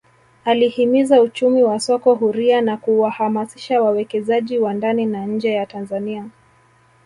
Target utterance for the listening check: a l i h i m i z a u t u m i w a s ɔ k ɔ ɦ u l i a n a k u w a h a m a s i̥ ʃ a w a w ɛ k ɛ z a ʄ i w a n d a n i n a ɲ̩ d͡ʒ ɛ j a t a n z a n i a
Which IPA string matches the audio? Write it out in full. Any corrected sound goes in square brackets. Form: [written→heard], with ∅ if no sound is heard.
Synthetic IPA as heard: a l i h i m i z a u [t→t͡ʃ] u m i w a s ɔ k ɔ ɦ u [l→ɾ] i a n a k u w a h a m a s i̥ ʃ a w a w ɛ k ɛ z a ʄ i w a n d a n i n a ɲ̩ d͡ʒ ɛ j a t a n z a n i a